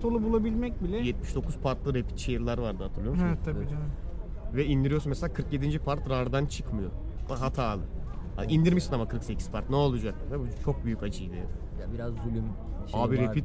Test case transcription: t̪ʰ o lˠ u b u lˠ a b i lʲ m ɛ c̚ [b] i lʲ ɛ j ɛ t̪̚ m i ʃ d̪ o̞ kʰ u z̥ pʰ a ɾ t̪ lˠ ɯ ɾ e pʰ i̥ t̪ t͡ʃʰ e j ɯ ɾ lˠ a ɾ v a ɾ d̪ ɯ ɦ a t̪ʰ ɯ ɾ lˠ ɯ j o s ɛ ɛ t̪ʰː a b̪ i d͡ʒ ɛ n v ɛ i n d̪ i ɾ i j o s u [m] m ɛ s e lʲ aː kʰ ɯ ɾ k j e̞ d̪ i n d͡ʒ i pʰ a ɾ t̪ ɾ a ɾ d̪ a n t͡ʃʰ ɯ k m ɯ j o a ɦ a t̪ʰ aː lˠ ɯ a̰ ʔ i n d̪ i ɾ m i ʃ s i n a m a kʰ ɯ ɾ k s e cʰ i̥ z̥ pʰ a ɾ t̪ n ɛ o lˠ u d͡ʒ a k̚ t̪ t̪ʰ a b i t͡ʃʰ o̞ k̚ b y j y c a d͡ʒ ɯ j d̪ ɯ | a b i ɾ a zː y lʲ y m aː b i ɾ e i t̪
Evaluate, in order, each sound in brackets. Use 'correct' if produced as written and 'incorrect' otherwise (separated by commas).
correct, incorrect